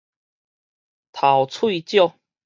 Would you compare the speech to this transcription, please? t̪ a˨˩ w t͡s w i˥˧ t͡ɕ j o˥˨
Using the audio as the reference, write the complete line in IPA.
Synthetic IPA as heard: t̪ʰ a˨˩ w t͡sʰ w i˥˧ t͡ɕ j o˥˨